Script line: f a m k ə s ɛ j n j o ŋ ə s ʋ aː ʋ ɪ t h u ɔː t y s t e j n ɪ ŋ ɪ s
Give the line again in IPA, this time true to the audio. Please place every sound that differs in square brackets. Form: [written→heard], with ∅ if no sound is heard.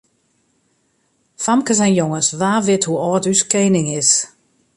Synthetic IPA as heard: f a m k ə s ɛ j n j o ŋ ə s ʋ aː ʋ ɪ t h u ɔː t y s [t→k] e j n ɪ ŋ ɪ s